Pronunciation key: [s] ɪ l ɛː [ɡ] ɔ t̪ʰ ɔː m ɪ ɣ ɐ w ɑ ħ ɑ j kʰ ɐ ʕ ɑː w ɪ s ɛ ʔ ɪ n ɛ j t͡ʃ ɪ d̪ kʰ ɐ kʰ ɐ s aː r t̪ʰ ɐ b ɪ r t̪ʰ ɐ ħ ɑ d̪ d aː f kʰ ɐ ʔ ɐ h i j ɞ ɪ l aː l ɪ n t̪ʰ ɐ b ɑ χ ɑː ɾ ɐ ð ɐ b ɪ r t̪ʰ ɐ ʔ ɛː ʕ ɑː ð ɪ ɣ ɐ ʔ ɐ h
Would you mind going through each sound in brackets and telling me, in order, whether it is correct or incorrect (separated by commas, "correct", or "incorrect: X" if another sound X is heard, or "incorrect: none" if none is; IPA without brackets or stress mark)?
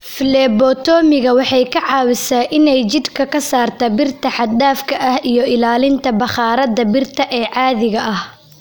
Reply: incorrect: f, incorrect: b